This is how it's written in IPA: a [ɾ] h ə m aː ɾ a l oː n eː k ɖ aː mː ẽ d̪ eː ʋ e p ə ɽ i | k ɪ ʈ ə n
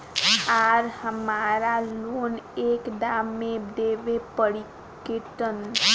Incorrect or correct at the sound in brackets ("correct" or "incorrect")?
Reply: correct